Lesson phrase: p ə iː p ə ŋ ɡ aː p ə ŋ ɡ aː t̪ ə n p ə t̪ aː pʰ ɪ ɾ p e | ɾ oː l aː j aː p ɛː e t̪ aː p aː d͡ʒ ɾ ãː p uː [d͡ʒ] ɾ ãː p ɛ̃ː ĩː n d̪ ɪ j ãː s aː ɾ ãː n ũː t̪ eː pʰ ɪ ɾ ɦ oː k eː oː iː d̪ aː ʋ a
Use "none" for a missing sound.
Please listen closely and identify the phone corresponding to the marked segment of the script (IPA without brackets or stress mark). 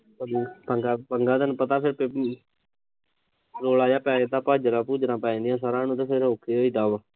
d͡ʒ